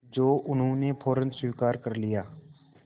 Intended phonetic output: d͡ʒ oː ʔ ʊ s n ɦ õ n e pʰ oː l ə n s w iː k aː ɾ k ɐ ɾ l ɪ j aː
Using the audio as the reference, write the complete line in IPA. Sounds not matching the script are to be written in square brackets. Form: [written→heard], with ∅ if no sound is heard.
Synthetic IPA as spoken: d͡ʒ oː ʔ ʊ [s→∅] n ɦ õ n e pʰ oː [l→ɾ] ə n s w iː k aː ɾ k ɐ ɾ l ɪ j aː